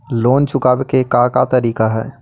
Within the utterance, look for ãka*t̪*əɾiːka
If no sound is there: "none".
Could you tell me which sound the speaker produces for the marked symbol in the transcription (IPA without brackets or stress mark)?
t̪